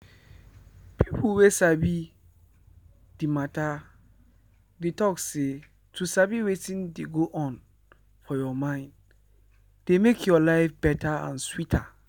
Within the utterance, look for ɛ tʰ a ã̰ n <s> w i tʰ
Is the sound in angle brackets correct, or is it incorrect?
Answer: correct